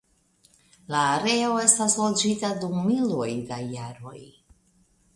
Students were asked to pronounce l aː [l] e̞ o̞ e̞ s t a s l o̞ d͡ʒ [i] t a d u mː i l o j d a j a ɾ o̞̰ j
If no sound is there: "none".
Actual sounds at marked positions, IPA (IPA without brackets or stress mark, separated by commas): ɾ, i